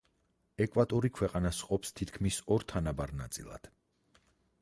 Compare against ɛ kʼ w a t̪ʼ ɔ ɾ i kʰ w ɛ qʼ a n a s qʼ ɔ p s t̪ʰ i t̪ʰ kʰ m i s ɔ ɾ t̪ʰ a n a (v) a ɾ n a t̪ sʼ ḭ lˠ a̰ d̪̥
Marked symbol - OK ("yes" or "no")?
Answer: no